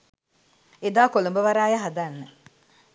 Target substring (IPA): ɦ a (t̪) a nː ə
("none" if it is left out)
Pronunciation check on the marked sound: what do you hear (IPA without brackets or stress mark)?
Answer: d̪